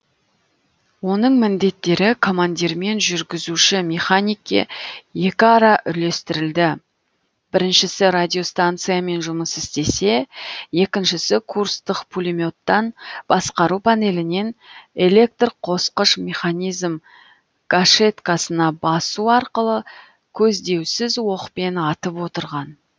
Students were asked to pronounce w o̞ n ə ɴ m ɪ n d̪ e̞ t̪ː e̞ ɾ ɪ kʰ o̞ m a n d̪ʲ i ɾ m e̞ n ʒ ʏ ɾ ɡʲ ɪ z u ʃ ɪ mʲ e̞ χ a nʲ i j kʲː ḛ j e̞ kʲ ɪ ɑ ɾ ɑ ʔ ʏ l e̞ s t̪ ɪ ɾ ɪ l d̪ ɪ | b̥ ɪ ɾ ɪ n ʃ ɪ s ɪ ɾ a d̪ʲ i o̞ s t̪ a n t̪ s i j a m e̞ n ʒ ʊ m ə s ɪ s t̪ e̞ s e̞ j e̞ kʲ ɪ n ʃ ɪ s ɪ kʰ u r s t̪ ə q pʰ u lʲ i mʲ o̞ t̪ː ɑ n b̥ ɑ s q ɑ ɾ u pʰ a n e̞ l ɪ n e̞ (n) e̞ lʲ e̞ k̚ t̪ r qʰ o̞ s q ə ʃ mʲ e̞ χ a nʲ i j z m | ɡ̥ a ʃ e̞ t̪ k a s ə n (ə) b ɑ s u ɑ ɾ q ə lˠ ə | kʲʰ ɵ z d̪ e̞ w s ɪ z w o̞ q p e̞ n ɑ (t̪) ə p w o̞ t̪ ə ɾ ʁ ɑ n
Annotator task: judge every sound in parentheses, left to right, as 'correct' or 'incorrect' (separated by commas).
correct, incorrect, correct